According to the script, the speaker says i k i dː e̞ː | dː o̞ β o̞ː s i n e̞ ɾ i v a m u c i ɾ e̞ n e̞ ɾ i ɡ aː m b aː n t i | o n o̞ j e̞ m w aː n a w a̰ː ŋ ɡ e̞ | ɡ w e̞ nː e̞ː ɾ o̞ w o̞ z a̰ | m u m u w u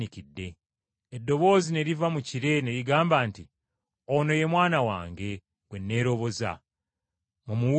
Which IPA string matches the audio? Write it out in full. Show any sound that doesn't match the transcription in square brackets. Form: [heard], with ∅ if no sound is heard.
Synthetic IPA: i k i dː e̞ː | dː o̞ β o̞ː [z] i n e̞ ɾ i v a m u c i ɾ e̞ n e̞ ɾ i ɡ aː m b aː n t i | o n o̞ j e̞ m w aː n a w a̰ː ŋ ɡ e̞ | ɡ w e̞ nː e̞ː ɾ o̞ [β] o̞ z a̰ | m u m u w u